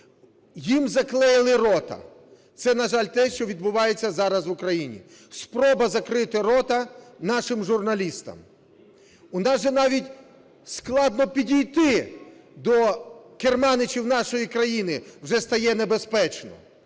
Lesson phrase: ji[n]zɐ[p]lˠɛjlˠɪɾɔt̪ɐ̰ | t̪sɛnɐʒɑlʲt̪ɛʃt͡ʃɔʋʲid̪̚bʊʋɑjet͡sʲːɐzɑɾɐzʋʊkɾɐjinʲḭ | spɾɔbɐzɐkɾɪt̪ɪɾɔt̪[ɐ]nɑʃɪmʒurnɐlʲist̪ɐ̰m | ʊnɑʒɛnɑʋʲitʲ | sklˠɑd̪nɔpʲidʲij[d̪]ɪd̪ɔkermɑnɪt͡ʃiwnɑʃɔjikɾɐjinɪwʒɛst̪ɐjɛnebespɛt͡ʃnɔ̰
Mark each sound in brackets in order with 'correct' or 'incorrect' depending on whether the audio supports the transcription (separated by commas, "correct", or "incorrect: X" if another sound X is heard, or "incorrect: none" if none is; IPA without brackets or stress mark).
incorrect: m, incorrect: k, correct, incorrect: t̪